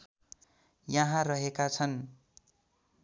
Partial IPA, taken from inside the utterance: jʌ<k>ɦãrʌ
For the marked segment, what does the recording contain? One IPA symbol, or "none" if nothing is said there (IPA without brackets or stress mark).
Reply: none